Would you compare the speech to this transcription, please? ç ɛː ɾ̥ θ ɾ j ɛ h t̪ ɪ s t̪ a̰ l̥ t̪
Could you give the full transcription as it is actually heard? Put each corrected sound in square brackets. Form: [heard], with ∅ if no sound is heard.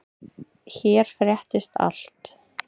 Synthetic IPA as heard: ç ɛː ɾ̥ [f] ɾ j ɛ h t̪ ɪ s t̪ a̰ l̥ t̪